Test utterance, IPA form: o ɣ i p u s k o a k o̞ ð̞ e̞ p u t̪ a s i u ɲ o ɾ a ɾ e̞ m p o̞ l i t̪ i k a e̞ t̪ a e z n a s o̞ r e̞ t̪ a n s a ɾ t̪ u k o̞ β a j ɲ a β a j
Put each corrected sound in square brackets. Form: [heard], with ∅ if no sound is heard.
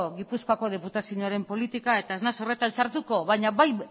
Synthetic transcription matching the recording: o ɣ i p u s k o a k o̞ ð̞ e̞ p u t̪ a s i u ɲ o [∅] a ɾ e̞ m p o̞ l i t̪ i k a e̞ t̪ a e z n a s o̞ r e̞ t̪ a n s a ɾ t̪ u k o̞ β a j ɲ a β a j